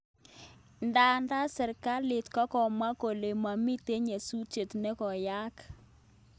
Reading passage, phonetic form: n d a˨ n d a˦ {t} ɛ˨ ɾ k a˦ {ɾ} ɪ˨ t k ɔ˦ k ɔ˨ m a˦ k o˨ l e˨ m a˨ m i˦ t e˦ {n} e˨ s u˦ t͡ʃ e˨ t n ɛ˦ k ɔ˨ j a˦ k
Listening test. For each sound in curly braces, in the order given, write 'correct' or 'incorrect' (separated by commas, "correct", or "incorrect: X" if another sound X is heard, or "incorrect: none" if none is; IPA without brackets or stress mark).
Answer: incorrect: s, incorrect: l, incorrect: ɲ